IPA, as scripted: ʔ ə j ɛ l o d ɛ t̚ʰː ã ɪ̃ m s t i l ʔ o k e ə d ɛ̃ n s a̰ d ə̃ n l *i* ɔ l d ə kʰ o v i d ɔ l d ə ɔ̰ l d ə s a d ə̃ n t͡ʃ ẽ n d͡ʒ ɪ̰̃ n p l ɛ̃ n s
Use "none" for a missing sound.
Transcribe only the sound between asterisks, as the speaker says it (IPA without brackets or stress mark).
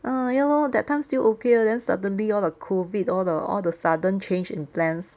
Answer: i